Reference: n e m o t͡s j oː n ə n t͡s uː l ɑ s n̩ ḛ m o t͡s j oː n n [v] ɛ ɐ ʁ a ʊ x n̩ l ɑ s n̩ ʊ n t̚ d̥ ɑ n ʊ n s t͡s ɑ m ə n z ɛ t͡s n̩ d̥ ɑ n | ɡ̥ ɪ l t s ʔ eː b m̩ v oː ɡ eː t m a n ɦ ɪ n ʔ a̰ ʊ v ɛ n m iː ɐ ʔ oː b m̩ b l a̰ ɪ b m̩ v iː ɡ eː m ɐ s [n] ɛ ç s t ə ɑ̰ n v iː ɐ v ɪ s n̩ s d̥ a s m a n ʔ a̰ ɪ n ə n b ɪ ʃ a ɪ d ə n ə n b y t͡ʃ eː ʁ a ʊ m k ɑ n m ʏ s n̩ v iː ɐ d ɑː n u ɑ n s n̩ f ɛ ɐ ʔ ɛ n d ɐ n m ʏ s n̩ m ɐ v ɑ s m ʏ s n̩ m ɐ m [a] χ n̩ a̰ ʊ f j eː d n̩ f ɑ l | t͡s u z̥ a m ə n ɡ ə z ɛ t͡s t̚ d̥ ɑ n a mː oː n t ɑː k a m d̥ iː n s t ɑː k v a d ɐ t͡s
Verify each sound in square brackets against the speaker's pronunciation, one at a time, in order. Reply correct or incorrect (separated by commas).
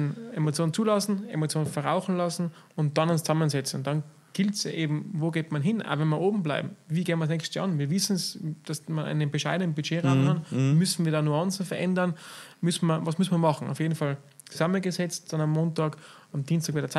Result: incorrect, correct, incorrect